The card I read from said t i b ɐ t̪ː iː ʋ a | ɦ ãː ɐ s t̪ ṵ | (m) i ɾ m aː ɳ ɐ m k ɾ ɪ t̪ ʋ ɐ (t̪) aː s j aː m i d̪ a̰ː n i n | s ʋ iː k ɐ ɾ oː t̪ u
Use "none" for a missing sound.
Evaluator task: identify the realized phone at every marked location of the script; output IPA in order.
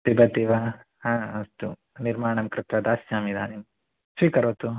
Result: n, d̪

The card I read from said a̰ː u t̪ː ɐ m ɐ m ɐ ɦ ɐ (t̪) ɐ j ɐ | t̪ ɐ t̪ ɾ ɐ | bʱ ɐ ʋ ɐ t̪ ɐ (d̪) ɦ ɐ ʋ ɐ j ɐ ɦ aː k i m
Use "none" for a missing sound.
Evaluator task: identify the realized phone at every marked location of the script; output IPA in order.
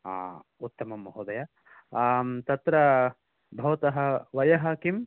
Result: d̪, none

